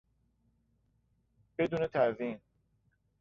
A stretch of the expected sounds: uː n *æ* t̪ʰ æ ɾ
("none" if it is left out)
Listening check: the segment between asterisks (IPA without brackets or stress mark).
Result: e